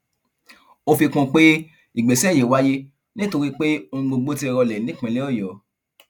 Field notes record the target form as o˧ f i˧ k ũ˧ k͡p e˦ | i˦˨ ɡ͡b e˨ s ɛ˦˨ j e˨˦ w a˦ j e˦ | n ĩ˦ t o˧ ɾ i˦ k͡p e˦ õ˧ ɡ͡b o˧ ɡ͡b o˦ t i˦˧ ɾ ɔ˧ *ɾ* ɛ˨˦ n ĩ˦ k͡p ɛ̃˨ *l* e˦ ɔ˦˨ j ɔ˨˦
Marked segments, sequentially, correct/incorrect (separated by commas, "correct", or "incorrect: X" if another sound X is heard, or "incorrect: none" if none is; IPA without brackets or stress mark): incorrect: l, correct